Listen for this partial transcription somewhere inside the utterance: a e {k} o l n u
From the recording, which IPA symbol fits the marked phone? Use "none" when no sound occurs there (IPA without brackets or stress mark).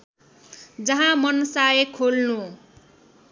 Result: kʰ